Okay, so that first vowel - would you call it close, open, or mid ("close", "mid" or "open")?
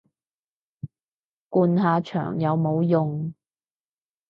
close